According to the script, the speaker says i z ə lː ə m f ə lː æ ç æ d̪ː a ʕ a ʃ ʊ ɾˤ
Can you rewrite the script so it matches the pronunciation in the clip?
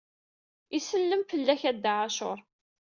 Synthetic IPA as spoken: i s ə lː ə m f ə lː æ ç æ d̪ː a ʕ a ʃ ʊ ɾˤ